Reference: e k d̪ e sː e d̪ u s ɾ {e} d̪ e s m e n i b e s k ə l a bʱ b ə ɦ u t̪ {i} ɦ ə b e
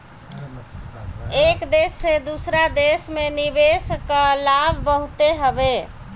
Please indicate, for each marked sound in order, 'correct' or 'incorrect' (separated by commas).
incorrect, incorrect